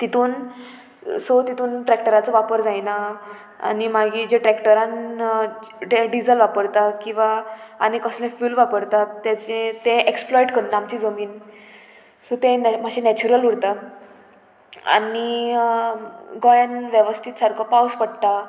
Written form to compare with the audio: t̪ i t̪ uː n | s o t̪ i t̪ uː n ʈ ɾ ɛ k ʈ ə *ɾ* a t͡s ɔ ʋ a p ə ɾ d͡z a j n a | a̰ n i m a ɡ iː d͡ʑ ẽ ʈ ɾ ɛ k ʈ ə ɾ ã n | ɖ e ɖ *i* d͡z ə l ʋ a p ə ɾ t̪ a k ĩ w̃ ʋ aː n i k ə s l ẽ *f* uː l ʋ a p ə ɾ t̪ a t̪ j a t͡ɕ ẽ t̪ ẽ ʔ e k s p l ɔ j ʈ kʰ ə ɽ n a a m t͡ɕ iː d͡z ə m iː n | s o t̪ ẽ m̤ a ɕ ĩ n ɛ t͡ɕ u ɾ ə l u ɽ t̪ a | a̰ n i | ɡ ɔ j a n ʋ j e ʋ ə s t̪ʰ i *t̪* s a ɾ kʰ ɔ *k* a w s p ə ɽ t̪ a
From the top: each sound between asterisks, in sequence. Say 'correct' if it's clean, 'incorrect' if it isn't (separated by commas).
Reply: correct, correct, correct, correct, incorrect